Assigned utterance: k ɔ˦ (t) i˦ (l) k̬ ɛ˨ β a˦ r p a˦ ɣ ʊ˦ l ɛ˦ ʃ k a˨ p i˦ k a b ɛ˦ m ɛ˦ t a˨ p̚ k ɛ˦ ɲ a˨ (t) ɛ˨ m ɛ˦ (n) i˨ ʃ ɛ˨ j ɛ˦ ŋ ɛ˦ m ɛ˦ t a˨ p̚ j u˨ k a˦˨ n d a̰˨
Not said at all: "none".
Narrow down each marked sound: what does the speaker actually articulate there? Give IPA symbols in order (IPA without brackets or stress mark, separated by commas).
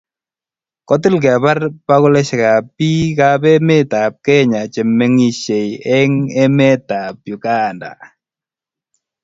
t, l, t͡ʃ, ŋ